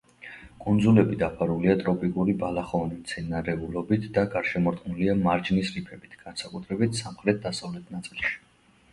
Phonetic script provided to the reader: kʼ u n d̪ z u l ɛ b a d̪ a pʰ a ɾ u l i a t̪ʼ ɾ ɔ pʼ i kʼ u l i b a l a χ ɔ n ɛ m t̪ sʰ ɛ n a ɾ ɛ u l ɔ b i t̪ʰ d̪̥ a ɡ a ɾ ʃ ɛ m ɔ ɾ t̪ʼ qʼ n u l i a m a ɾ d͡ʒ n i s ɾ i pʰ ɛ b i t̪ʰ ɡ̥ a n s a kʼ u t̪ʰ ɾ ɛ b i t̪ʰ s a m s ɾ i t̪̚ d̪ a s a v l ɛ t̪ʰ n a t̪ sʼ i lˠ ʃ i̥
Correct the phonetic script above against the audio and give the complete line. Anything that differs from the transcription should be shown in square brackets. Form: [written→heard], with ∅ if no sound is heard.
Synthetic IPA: kʼ u n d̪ z u l ɛ b [a→i] d̪ a pʰ a ɾ u l i a t̪ʼ ɾ ɔ pʼ i kʼ u [l→ɾ] i b a l a χ ɔ n [ɛ→i] m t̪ sʰ ɛ n a ɾ ɛ u l ɔ b i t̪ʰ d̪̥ a ɡ a ɾ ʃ ɛ m ɔ ɾ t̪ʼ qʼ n u l i a m a ɾ d͡ʒ n i s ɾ i pʰ ɛ b i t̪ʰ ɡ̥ a n s a kʼ u t̪ʰ ɾ ɛ b i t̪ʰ s a m [s→χ] ɾ [i→ɛ] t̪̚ d̪ a s a v l ɛ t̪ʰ n a t̪ sʼ i lˠ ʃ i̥